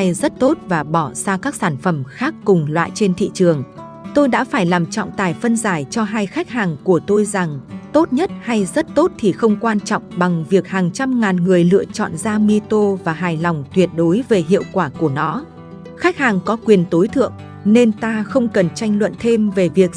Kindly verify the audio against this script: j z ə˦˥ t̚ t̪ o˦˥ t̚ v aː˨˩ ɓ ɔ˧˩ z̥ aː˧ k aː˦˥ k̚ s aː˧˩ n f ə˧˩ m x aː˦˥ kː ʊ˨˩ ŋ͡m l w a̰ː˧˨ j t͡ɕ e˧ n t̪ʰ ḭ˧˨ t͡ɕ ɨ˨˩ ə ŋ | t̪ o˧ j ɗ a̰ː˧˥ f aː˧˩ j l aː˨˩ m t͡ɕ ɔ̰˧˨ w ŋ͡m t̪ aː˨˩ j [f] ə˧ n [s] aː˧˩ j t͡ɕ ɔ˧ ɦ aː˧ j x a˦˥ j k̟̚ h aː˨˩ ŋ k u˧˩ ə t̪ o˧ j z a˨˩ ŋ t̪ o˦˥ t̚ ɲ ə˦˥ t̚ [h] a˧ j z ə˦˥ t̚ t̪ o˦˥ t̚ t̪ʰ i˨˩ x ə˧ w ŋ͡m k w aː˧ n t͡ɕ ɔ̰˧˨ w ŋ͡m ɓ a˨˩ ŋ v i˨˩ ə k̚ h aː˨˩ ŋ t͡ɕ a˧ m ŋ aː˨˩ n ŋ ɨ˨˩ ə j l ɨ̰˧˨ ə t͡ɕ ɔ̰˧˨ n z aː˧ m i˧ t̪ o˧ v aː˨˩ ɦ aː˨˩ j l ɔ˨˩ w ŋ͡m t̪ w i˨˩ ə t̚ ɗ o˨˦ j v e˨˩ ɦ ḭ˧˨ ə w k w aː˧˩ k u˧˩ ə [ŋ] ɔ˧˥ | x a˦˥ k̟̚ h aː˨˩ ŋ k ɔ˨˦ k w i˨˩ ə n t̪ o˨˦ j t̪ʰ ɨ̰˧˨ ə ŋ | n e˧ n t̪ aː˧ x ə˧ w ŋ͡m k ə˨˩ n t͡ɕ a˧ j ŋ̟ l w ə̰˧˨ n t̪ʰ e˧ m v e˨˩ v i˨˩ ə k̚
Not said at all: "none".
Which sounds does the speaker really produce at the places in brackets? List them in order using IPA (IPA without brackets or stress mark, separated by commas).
f, z, h, n